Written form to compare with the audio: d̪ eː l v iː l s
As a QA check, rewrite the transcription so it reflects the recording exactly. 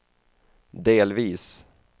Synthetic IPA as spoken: d̪ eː l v iː s

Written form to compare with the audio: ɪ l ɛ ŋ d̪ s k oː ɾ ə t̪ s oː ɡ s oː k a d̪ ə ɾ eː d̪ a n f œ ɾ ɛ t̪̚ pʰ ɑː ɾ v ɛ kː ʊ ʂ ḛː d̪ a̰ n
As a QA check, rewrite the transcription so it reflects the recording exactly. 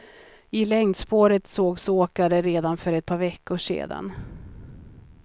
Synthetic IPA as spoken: ɪ l ɛ ŋ d̪ s p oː ɾ ə t̪ s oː ɡ s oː k a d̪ ə ɾ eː d̪ a n f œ ɾ ɛ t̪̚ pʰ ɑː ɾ v ɛ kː ʊ ʂ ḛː d̪ a̰ n

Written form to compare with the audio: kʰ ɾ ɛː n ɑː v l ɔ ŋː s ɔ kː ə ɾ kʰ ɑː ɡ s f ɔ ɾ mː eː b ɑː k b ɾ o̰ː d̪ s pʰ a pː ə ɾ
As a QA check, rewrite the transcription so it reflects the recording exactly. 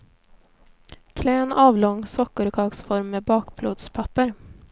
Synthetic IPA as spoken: kʰ l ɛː n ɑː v l ɔ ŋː s ɔ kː ə ɾ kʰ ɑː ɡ s f ɔ ɾ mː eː b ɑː k b l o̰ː d̪ s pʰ a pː ə ɾ

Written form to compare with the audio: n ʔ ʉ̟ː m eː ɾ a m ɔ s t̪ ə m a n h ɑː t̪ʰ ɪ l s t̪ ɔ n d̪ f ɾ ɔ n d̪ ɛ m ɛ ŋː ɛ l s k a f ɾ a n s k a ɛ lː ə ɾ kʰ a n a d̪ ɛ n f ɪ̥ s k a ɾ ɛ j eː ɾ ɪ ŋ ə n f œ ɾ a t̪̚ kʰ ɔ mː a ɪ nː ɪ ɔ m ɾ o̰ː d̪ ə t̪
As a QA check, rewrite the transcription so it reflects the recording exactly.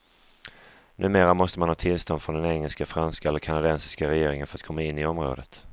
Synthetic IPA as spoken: n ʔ ʉ̟ː m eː ɾ a m ɔ s t̪ ə m a n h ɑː t̪ʰ ɪ l s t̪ ɔ n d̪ f ɾ ɔ n d̪ ɛ n ɛ ŋː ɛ l s k a f ɾ a n s k a ɛ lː ə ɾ kʰ a n a d̪ ɛ n s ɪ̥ s k a ɾ ɛ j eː ɾ ɪ ŋ ə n f œ ɾ a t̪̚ kʰ ɔ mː a ɪ nː ɪ ɔ m ɾ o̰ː d̪ ə t̪

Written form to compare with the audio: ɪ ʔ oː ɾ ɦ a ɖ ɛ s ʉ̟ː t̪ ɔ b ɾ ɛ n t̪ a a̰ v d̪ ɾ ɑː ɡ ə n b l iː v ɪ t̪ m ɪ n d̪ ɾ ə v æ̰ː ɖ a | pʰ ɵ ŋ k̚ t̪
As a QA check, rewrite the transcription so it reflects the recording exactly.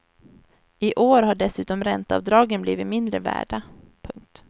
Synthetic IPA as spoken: ɪ ʔ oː ɾ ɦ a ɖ ɛ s ʉ̟ː t̪ ɔ m ɾ ɛ n t̪ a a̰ v d̪ ɾ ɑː ɡ ə n b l iː v ɪ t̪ m ɪ n d̪ ɾ ə v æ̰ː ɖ a | pʰ ɵ ŋ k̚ t̪

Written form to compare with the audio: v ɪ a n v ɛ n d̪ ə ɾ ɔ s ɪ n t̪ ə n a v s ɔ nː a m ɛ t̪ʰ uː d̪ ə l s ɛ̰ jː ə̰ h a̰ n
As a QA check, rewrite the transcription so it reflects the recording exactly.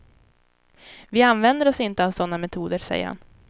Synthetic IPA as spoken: v ɪ a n v ɛ n d̪ ə ɾ ɔ s ɪ n t̪ ə a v s ɔ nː a m ɛ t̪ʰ uː d̪ ə ɾ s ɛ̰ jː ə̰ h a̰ n

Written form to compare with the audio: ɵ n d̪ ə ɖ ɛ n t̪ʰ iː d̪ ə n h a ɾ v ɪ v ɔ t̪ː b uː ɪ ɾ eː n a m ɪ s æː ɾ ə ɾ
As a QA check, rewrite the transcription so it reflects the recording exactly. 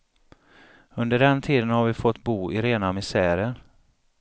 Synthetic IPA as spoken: ɵ n d̪ ə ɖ ɛ n t̪ʰ iː d̪ ə n h a ɾ v ɪ f ɔ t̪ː b uː ɪ ɾ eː n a m ɪ s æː ɾ ə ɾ

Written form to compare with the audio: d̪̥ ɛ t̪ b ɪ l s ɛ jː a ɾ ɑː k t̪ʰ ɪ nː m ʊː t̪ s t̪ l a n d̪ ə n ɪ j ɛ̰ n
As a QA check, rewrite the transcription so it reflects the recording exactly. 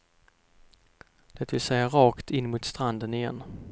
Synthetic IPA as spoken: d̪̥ ɛ t̪ v ɪ l s ɛ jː a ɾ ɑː k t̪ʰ ɪ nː m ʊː t̪ s t̪ ɾ a n d̪ ə n ɪ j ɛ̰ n

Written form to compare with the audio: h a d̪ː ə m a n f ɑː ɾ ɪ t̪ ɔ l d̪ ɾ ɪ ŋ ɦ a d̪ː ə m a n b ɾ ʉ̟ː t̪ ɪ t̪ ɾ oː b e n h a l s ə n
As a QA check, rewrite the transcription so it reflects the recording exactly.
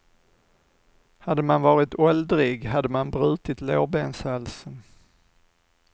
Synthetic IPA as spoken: h a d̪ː ə m a n v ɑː ɾ ɪ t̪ ɔ l d̪ ɾ ɪ ɡ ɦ a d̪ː ə m a n b ɾ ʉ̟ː t̪ ɪ t̪ l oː b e n s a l s ə n

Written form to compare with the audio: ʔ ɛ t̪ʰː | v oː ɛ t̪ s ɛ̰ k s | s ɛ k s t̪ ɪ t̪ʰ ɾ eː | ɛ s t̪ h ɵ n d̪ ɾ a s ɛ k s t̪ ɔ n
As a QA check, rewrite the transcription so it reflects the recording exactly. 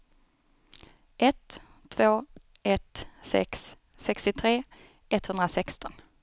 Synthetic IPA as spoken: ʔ ɛ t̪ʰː | v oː ɛ t̪ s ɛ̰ k s | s ɛ k s t̪ ɪ t̪ʰ ɾ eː | ɛ t̪ h ɵ n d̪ ɾ a s ɛ k s t̪ ɔ n

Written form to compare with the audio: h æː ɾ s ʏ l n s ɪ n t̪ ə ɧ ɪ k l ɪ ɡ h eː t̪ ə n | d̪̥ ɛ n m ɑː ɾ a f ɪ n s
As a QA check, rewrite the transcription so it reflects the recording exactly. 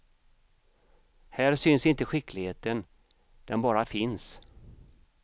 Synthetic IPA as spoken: h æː ɾ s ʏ n s ɪ n t̪ ə ɧ ɪ k l ɪ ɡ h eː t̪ ə n | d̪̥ ɛ n b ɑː ɾ a f ɪ n s

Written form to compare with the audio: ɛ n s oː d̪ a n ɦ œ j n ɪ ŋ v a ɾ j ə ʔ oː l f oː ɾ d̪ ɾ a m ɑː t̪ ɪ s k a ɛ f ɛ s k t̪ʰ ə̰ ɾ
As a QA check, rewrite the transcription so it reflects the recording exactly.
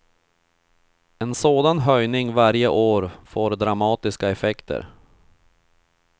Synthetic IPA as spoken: ɛ n s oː d̪ a n ɦ œ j n ɪ ŋ v a ɾ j ə ʔ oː ɾ f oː ɾ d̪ ɾ a m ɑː t̪ ɪ s k a ɛ f ɛ k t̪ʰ ə̰ ɾ

